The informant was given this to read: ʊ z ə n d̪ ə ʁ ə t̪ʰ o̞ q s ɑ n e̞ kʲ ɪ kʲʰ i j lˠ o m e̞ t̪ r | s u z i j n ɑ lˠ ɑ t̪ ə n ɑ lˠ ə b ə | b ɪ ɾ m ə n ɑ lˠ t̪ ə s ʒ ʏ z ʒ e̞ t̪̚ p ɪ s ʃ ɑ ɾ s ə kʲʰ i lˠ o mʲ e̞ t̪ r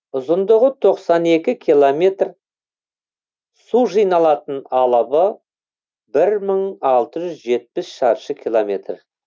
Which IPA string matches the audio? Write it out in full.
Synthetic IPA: ʊ z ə n d̪ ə ʁ ə t̪ʰ o̞ q s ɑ n e̞ kʲ ɪ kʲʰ i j lˠ o m e̞ t̪ r | s u ʒ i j n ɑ lˠ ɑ t̪ ə n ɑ lˠ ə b ə | b ɪ ɾ m ə ɴ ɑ lˠ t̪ ə ʒ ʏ z ʒ e̞ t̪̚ p ɪ s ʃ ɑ ɾ ʃ ə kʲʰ i lˠ o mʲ e̞ t̪ r